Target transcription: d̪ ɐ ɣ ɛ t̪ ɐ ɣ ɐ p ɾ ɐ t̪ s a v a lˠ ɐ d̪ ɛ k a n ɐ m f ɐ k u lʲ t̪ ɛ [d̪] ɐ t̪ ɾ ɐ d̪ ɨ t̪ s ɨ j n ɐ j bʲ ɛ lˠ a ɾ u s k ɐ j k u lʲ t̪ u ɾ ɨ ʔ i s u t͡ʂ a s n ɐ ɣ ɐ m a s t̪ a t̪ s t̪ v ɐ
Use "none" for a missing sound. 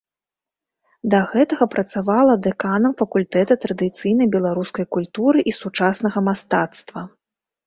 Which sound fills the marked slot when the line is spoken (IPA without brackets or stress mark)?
t̪